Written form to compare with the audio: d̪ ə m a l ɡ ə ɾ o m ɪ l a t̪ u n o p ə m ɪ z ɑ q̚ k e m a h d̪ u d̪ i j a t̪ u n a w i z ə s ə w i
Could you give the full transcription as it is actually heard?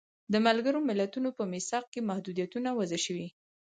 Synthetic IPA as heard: d̪ ə m a l ɡ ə ɾ o m ɪ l a t̪ u n o p ə m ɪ s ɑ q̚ k e m a h d̪ u d̪ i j a t̪ u n a w a z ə ʃ ə w i

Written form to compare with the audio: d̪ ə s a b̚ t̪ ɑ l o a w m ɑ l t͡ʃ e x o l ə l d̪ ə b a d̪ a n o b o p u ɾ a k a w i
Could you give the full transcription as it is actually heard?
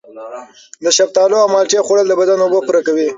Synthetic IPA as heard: d̪ ə ʃ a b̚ t̪ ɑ l o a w m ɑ l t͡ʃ e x o ɽ ə l d̪ ə b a d̪ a n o b o p u ɾ a k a w i

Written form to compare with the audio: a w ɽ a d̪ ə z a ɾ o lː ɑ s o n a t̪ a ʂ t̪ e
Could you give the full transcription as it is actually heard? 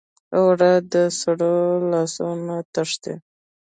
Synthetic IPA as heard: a w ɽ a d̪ ə s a ɽ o l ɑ s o n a t̪ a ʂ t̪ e

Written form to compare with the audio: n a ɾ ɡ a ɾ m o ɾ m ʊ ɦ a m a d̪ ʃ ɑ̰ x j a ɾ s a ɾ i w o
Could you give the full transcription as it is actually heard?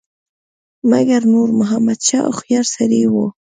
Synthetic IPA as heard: m a ɡ a ɾ n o ɾ m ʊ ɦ a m a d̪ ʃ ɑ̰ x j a ɾ s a ɾ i w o

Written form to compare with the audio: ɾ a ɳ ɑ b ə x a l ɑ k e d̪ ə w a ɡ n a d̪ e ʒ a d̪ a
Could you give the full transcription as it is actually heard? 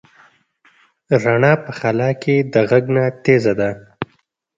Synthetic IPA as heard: ɾ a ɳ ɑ p ə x a l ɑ k e d̪ ə ɣ a ɡ n a t̪ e z a d̪ a

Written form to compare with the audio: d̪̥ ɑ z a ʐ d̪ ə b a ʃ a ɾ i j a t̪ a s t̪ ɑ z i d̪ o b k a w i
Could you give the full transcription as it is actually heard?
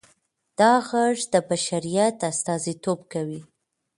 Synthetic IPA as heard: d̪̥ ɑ ɣ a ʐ d̪ ə b a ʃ a ɾ i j a t̪ a s t̪ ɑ z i t̪ o b k a w i

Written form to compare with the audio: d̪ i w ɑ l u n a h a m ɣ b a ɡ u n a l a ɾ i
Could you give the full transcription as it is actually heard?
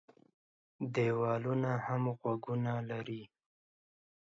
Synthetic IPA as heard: d̪ e w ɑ l u n a h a m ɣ w a ɡ u n a l a ɾ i

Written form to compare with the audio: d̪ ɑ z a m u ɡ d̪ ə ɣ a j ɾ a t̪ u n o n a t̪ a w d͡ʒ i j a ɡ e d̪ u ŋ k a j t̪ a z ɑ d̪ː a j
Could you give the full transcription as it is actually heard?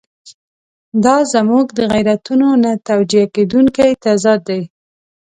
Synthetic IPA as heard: d̪ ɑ z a m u ɡ d̪ ə ɣ a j ɾ a t̪ u n o n a t̪ a w d͡ʒ i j a k e d̪ u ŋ k a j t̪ a z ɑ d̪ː a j

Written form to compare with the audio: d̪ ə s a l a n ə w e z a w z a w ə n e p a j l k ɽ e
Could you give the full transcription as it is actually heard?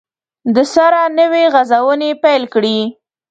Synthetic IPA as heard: d̪ ə s a ɾ a n ə w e ɣ a z a w ə n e p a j l k ɽ i

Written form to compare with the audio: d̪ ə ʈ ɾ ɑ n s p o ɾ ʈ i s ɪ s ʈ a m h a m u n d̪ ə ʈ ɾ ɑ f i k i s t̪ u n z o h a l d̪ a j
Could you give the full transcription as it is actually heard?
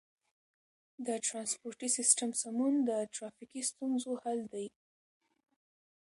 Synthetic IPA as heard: d̪ ə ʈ ɾ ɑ n s p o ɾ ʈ i s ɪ s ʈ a m s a m u n d̪ ə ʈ ɾ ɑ f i k i s t̪ u n z o h a l d̪ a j

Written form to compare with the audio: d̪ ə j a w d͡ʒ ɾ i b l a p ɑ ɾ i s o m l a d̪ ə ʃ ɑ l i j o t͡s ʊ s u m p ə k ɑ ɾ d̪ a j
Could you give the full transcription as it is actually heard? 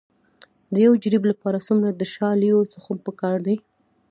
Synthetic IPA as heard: d̪ ə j a w d͡ʒ ɾ i b l a p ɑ ɾ a s u m ɾ a d̪ ə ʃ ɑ l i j o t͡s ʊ x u m p ə k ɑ ɾ d̪ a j

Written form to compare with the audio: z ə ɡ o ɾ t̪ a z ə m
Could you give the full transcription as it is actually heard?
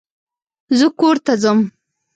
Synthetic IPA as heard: z ə k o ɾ t̪ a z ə m

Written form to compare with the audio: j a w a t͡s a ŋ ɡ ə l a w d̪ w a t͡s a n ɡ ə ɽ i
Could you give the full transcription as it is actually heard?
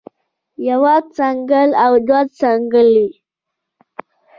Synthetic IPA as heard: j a w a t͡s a ŋ ɡ ə l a w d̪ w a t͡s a ŋ ɡ ə l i

